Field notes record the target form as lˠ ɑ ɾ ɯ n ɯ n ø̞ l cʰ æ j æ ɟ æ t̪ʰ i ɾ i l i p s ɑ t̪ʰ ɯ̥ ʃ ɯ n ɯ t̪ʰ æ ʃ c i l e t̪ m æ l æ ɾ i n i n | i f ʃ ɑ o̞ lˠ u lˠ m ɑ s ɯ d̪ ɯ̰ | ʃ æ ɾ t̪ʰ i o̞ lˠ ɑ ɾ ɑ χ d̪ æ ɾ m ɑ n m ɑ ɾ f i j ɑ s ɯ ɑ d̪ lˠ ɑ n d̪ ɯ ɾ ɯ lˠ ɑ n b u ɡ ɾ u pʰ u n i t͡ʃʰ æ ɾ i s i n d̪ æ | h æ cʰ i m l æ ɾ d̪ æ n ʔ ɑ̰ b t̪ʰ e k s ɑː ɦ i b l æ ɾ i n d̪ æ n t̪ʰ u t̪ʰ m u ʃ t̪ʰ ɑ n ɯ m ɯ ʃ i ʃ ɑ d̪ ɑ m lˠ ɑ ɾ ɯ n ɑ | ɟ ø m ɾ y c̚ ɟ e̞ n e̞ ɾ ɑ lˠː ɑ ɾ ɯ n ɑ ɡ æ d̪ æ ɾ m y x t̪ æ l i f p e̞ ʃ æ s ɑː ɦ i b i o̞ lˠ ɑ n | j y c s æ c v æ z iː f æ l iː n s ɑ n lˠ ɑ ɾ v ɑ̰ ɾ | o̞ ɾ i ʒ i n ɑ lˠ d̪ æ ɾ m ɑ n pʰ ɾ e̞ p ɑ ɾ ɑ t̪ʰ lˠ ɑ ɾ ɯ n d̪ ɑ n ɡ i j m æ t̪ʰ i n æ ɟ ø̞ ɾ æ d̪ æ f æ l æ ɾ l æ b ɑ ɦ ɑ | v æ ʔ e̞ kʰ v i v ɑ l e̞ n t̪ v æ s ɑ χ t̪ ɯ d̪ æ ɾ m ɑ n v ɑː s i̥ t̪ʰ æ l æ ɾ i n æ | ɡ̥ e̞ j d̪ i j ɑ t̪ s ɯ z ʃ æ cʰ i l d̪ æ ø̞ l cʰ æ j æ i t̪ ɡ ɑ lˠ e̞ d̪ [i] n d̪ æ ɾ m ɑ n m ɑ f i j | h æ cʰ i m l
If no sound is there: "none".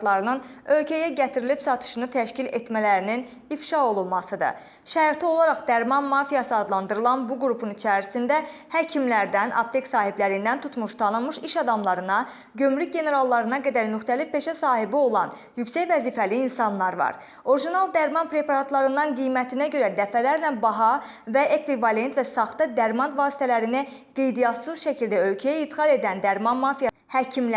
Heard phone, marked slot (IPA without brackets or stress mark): æ